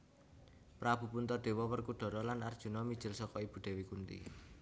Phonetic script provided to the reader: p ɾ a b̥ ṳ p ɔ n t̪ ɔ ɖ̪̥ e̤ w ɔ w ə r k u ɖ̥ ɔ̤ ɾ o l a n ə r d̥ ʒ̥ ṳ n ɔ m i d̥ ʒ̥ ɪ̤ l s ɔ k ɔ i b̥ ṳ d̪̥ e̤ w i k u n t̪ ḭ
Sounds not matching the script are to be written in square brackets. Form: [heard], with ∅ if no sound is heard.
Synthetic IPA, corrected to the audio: p ɾ a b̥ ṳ p [u] n t̪ ɔ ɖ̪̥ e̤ w ɔ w ə r k u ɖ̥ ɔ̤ ɾ [ɔ] l a n [a] r d̥ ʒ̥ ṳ n ɔ m i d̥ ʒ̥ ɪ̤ l s ɔ k ɔ i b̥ ṳ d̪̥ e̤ w i k u n t̪ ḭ